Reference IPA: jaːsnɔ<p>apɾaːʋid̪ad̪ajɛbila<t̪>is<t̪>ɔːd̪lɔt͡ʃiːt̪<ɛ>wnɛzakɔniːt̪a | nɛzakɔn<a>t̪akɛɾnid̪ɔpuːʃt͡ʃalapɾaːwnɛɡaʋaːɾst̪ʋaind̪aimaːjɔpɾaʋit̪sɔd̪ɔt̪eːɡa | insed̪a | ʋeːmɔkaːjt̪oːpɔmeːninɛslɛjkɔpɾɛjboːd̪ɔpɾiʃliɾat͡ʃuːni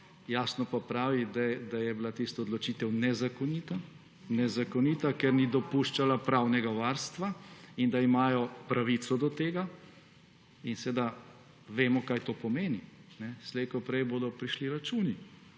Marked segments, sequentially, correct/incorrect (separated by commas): correct, correct, correct, correct, incorrect